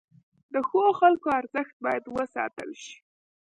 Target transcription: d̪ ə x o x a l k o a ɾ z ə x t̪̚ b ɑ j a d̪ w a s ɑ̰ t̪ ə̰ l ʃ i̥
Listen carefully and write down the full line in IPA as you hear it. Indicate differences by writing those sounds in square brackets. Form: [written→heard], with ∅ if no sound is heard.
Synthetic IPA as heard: d̪ ə x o x a l k o a ɾ z ə x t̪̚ b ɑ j a d̪ w [a→ə] s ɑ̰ t̪ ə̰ l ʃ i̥